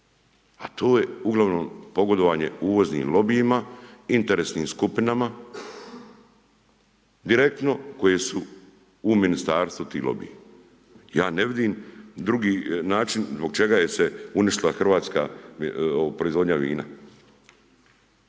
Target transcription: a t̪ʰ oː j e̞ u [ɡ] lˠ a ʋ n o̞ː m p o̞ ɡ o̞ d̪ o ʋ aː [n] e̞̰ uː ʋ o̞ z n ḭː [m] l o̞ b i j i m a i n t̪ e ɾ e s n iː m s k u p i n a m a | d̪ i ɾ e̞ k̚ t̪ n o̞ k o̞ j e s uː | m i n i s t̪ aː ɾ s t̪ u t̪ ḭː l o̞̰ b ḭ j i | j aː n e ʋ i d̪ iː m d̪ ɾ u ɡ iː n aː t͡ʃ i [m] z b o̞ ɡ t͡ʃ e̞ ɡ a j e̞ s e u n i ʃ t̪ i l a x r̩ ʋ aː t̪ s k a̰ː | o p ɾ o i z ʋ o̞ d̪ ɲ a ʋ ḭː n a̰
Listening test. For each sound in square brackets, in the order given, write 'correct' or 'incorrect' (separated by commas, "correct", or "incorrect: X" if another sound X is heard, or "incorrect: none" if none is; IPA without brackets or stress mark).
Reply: correct, incorrect: ɲ, correct, incorrect: n